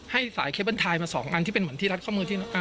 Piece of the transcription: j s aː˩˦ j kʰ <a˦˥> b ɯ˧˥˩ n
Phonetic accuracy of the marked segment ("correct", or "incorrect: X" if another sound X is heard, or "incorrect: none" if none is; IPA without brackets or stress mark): incorrect: e˦˥